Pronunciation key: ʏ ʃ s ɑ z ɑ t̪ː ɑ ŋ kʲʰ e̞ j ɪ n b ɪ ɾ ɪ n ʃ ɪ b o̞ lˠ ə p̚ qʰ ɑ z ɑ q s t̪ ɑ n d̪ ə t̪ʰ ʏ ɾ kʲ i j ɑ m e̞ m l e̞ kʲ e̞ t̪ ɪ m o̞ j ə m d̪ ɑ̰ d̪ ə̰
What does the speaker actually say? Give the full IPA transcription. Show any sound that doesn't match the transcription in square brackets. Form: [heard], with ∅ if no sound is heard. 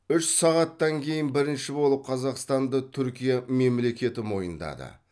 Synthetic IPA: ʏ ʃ s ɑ [ʁ] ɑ t̪ː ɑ ŋ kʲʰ e̞ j ɪ n b ɪ ɾ ɪ n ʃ ɪ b o̞ lˠ ə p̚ qʰ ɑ z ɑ q s t̪ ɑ n d̪ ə t̪ʰ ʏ ɾ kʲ i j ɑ m e̞ m l e̞ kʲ e̞ t̪ ɪ m o̞ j ə [n] d̪ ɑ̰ d̪ ə̰